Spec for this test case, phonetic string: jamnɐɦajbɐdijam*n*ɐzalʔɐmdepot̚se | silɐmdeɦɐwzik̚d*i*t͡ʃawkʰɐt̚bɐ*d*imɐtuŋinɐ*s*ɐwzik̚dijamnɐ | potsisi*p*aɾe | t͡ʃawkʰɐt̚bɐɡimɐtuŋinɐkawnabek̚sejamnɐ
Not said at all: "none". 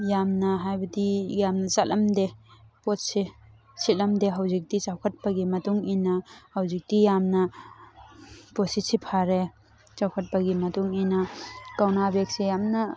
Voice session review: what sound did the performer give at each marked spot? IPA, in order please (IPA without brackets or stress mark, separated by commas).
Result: n, i, ɡ, h, pʰ